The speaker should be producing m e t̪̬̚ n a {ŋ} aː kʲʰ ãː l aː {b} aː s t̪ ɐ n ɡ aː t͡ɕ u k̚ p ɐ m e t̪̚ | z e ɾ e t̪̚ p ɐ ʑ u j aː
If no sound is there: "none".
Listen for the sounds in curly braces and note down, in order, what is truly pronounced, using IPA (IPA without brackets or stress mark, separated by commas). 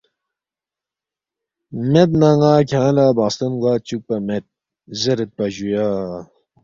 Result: ŋ, b